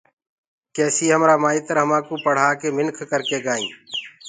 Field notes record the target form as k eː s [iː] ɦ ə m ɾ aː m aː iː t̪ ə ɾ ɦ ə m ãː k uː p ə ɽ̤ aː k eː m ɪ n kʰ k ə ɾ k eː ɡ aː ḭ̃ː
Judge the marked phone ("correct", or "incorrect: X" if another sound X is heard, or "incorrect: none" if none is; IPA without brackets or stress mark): correct